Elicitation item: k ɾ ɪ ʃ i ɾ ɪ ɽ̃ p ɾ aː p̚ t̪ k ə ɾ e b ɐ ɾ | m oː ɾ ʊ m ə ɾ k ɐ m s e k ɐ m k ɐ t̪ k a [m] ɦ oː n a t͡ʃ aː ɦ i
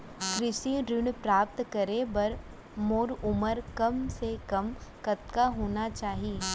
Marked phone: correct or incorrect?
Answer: incorrect: none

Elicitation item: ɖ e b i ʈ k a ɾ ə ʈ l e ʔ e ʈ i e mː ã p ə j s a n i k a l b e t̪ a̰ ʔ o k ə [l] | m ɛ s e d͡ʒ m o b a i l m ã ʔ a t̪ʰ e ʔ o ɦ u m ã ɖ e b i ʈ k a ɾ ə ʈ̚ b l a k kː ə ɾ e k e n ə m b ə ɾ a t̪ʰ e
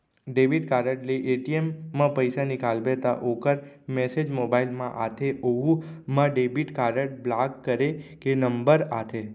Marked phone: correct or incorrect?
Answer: incorrect: ɾ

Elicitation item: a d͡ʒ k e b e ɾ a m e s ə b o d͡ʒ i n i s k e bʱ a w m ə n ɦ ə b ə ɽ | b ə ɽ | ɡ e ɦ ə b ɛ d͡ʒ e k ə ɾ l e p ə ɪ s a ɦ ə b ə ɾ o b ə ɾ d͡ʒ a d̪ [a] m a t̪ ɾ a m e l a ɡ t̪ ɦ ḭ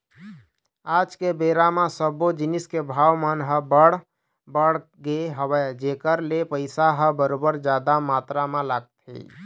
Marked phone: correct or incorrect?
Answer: correct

